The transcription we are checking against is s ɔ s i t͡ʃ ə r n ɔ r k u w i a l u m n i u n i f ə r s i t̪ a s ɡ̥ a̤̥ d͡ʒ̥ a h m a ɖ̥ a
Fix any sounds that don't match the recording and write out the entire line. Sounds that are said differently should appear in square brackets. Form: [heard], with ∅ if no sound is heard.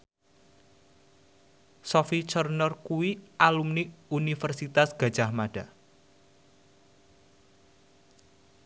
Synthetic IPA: s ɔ [f] i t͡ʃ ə r n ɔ r k u w i a l u m n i u n i f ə r s i t̪ a s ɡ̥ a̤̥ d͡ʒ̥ a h m a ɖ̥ a